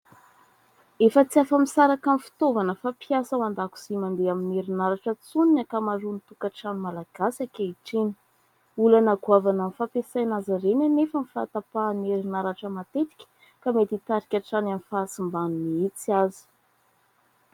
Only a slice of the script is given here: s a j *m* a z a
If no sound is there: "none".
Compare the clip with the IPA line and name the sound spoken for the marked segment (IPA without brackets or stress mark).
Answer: n